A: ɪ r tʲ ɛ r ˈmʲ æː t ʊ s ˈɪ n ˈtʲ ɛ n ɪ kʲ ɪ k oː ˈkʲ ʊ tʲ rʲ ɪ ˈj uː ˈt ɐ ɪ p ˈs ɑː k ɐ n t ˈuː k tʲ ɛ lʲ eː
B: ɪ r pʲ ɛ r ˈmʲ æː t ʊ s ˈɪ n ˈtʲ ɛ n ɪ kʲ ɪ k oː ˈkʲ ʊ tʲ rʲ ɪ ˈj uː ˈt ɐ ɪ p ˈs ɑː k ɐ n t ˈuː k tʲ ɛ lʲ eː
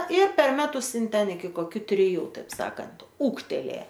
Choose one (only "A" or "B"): B